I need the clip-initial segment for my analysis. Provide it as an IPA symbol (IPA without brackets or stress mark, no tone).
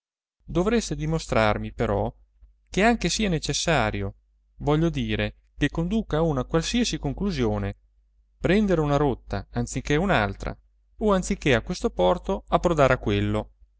d̪